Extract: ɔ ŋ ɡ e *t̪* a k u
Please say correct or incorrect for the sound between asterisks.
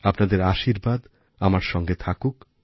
incorrect